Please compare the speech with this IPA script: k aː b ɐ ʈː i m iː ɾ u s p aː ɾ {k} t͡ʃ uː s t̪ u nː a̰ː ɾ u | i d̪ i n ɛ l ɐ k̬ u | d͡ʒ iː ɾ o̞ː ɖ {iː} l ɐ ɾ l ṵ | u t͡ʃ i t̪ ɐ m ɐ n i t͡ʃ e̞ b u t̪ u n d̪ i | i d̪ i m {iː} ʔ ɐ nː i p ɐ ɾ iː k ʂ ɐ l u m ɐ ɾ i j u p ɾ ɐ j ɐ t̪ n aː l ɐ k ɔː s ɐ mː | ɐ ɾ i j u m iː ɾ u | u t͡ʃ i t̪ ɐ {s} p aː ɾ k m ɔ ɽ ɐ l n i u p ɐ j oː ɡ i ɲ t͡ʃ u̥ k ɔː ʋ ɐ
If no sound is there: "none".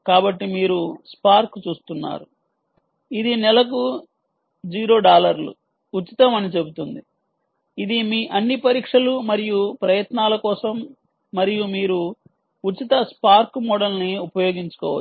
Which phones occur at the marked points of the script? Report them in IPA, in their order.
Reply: k, aː, iː, s

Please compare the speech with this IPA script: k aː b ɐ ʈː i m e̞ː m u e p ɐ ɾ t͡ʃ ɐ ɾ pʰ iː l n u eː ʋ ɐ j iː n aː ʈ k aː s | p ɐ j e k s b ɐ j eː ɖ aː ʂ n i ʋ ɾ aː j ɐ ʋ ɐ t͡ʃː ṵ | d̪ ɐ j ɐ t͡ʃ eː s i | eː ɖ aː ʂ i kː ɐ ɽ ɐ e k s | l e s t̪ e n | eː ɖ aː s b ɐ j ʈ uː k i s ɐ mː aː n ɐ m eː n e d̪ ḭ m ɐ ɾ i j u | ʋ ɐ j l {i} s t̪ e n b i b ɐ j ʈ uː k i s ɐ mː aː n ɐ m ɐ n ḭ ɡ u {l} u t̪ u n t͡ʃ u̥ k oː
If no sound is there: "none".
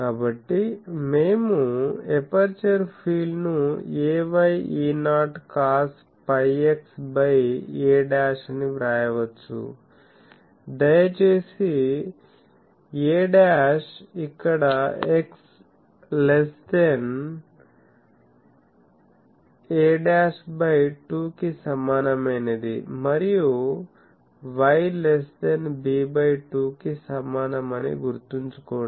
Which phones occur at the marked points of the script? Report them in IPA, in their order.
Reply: e, ɾ

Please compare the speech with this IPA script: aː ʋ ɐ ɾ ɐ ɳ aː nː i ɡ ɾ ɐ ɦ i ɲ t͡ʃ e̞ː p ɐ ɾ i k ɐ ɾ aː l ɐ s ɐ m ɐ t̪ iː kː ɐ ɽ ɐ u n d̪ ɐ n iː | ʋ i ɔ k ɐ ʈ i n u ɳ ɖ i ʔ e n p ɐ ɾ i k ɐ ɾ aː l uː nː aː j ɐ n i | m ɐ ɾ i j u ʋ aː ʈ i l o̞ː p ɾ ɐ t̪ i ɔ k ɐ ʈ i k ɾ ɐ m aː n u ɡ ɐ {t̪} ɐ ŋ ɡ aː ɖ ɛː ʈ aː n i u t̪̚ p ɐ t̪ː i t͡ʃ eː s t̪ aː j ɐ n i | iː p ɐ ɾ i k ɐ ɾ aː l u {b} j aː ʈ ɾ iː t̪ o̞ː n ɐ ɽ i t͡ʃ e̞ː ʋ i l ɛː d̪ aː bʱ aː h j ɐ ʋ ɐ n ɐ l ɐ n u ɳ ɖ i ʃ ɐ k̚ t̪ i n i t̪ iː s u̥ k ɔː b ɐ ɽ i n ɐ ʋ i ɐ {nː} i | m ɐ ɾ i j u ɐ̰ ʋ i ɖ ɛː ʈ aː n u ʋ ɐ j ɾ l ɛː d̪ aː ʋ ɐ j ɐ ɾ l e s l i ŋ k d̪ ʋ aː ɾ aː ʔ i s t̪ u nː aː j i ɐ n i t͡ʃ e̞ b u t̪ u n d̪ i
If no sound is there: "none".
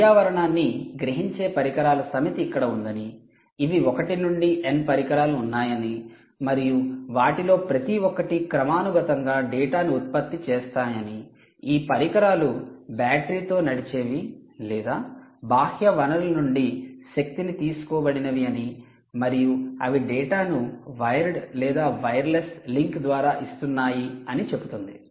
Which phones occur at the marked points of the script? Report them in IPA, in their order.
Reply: t̪, b, n

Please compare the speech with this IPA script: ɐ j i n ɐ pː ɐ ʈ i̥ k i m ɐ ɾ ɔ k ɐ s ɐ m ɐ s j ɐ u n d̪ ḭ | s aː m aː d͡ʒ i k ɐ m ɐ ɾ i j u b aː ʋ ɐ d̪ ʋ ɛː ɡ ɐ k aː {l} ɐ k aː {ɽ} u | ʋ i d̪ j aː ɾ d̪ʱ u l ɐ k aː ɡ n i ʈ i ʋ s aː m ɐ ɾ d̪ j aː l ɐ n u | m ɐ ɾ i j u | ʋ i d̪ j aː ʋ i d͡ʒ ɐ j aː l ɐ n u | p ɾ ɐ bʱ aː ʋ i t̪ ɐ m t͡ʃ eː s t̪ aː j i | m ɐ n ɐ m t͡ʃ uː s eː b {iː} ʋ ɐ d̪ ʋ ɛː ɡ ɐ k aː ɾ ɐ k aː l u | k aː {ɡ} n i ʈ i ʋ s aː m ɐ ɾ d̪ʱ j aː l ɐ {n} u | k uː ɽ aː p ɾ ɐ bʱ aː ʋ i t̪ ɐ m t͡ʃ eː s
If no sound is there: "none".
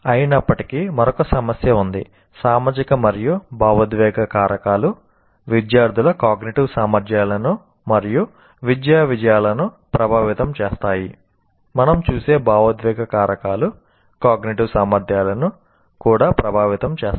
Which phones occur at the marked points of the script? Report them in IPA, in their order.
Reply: ɾ, l, aː, ɡ, n

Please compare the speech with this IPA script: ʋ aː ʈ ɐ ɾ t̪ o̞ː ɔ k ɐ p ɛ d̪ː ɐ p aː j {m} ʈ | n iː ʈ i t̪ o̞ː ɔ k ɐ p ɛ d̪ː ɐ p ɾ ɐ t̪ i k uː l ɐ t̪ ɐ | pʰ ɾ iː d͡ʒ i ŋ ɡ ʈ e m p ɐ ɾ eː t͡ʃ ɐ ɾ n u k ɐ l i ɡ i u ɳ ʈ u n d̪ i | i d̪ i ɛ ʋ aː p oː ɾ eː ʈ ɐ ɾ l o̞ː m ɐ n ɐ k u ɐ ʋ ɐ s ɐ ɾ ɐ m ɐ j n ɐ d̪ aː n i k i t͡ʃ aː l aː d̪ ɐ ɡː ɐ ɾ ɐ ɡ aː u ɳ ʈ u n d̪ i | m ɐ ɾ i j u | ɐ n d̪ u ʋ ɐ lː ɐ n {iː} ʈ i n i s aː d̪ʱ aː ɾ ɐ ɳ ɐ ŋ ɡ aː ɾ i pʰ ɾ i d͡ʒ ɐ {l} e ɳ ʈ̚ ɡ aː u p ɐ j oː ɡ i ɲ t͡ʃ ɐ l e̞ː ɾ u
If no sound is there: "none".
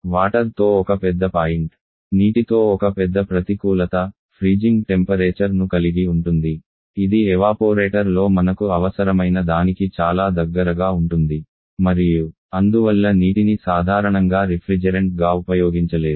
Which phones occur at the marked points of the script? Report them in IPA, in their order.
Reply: ɳ, iː, ɾ

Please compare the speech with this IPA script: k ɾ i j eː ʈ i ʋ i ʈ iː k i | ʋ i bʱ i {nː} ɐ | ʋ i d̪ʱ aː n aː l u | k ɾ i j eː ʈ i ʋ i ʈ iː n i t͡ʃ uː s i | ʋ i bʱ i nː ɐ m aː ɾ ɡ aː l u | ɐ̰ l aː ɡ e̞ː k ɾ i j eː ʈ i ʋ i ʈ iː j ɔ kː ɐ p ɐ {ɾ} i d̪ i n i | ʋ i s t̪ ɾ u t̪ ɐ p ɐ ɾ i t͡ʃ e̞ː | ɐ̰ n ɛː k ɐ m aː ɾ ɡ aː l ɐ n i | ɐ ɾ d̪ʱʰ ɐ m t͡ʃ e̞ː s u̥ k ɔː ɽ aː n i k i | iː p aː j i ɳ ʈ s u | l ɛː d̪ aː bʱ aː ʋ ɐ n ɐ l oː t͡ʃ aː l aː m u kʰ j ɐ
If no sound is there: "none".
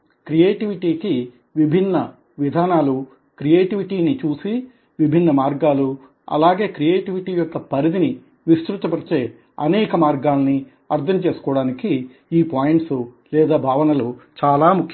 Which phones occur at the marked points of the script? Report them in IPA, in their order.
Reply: nː, ɾ

